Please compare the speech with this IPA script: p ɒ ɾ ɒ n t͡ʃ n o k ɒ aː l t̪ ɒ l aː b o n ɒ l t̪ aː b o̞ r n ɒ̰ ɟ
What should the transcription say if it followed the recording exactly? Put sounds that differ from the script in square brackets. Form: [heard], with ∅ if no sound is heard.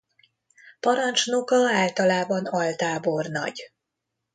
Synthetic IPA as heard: p ɒ ɾ ɒ n t͡ʃ n o k ɒ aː l t̪ ɒ l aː b [ɒ] n ɒ l t̪ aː b o̞ r n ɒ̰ ɟ